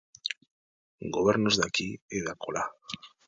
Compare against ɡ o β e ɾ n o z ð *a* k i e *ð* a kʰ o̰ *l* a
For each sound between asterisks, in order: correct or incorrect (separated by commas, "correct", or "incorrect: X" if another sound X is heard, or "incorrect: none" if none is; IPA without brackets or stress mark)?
correct, correct, correct